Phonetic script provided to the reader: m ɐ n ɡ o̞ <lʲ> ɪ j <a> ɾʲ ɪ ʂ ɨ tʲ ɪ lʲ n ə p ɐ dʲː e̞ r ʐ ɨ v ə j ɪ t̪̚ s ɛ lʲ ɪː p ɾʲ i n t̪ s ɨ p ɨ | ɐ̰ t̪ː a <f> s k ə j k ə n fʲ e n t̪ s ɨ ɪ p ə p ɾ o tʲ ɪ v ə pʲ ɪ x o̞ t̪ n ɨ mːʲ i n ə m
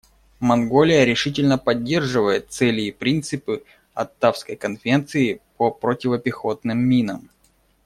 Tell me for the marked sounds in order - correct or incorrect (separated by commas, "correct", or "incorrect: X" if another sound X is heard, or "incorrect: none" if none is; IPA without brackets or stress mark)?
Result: correct, incorrect: ə, correct